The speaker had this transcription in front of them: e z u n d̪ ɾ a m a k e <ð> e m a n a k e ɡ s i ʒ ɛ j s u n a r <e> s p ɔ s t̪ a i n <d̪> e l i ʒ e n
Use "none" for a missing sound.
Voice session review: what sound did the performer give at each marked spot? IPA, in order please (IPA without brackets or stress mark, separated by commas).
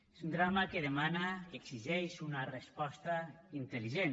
ð, e, t̪